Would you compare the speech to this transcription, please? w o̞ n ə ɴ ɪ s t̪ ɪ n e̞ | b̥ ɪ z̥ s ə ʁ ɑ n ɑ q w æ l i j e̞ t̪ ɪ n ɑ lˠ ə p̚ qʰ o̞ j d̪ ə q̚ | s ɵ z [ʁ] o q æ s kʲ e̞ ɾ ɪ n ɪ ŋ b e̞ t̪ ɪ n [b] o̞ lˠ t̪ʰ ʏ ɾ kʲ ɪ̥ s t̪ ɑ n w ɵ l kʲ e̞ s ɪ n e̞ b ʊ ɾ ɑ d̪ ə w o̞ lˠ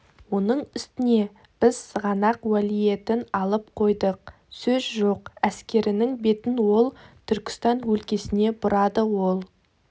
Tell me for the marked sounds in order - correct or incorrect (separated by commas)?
incorrect, incorrect